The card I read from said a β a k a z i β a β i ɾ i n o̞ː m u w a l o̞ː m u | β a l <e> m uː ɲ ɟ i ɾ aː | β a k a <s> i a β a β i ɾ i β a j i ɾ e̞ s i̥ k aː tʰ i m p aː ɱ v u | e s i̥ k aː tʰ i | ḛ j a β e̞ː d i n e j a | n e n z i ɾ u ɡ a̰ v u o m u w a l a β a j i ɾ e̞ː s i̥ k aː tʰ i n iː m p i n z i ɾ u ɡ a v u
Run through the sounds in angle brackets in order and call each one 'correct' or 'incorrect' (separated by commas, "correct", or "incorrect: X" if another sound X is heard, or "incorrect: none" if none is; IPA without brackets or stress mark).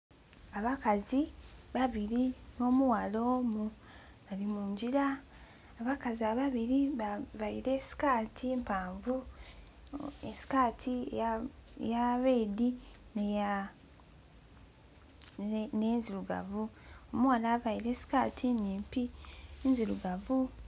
incorrect: i, incorrect: z